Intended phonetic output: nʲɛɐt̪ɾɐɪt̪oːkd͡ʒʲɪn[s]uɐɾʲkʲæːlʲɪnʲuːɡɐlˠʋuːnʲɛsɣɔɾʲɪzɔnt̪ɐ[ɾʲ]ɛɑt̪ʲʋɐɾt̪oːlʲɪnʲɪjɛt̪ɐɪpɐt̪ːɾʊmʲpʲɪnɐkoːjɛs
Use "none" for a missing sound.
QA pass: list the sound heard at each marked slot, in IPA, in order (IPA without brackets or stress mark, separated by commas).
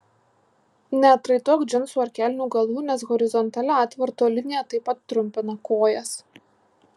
s, lʲ